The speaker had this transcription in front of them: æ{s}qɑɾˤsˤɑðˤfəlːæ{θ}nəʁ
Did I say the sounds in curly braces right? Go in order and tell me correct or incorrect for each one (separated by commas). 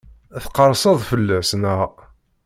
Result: incorrect, incorrect